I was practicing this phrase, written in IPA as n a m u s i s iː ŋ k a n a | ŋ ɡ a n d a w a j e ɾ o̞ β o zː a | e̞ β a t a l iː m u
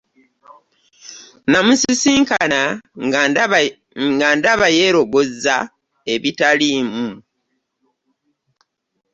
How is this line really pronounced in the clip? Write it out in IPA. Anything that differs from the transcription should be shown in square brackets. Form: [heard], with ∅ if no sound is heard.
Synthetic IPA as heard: n a m u s i s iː ŋ k a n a | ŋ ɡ a n d a [β] a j e ɾ o̞ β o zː a | e̞ β [i] t a l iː m u